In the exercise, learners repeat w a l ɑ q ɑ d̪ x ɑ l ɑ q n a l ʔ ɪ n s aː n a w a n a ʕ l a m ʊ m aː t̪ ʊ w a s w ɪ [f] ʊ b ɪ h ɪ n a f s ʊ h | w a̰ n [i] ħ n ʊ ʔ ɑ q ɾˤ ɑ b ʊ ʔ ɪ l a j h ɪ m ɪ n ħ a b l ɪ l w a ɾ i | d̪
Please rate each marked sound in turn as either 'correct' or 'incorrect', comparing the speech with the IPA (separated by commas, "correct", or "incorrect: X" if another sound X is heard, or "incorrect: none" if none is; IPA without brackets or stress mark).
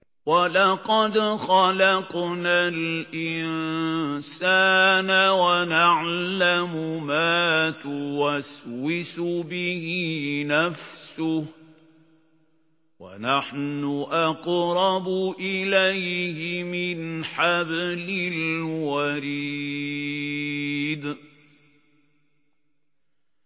incorrect: s, incorrect: a